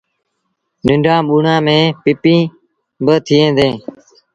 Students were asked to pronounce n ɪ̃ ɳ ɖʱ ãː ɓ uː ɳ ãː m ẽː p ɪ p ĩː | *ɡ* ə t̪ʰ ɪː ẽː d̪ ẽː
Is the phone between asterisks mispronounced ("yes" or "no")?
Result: yes